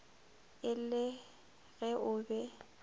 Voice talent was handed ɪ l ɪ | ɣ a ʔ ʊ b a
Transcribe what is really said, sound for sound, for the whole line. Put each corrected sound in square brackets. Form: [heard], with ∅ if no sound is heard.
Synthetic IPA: ɪ l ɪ | ɣ [ɛ] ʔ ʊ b [ɛ]